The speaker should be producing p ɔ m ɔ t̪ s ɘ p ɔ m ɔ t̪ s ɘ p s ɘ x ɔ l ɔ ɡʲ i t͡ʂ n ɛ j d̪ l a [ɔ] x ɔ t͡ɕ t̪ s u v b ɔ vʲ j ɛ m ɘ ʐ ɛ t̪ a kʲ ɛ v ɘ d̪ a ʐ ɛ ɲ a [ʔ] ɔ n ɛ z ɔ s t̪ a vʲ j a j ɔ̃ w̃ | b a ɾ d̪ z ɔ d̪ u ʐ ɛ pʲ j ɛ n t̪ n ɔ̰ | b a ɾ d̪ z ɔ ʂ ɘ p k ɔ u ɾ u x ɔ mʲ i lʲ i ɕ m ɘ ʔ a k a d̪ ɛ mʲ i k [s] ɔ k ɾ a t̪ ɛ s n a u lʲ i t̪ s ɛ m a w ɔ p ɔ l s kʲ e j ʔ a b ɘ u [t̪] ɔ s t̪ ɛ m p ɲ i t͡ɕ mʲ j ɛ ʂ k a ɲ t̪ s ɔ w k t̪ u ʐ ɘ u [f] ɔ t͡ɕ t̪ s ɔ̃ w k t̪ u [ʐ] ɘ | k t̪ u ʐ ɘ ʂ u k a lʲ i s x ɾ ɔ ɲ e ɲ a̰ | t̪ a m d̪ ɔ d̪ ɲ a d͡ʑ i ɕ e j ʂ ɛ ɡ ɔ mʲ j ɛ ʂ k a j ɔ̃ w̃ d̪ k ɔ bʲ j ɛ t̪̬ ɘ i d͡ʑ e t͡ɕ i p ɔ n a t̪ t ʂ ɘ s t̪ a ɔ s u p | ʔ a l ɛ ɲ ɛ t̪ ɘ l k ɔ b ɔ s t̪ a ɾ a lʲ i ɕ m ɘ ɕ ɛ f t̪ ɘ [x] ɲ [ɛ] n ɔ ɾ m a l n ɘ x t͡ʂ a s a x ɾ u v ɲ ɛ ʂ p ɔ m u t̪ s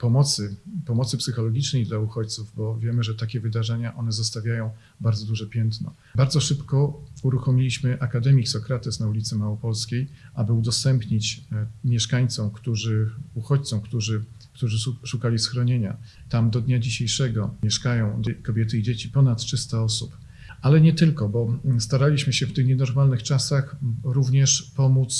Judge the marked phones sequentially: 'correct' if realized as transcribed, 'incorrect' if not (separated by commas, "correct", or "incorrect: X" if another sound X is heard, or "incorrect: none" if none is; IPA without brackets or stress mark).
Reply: incorrect: u, correct, correct, incorrect: d̪, incorrect: x, correct, correct, correct